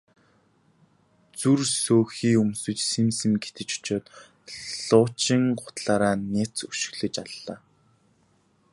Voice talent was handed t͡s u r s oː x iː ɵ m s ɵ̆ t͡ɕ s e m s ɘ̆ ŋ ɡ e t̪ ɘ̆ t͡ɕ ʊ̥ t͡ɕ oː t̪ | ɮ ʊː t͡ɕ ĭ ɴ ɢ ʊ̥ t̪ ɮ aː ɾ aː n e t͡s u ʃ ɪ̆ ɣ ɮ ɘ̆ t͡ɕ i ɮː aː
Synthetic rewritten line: t͡s u r s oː x iː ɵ m s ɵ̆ t͡ɕ s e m s ɘ̆ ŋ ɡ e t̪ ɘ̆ t͡ɕ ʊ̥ t͡ɕ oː t̪ | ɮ ʊː t͡ɕ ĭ ŋ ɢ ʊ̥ t̪ ɮ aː ɾ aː n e t͡s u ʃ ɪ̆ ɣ ɮ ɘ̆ t͡ɕ a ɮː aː